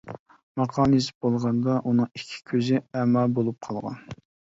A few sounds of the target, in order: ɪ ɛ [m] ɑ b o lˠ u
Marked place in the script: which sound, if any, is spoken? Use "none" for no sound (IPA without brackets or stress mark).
m